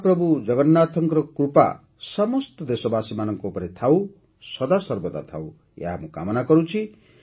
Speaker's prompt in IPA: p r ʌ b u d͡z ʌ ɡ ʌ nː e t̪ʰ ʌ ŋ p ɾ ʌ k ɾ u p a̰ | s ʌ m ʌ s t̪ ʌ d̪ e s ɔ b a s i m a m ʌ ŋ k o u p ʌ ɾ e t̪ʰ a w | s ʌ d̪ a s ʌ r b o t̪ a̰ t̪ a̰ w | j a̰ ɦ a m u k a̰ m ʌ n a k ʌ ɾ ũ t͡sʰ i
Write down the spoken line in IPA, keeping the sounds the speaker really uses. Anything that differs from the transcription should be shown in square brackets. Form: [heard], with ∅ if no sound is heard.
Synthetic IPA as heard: p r ʌ b u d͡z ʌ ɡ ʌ nː [a] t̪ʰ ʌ ŋ [k] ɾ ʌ k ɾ u p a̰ | s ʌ m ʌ s t̪ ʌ d̪ e s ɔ b a s i m a [n] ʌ ŋ k o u p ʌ ɾ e t̪ʰ a w | s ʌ d̪ a s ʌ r b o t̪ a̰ [t̪ʰ] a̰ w | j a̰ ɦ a m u k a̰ m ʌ n a k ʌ ɾ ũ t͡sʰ i